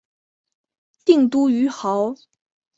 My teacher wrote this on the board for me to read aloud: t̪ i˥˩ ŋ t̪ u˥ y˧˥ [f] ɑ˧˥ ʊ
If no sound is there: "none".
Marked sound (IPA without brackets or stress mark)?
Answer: x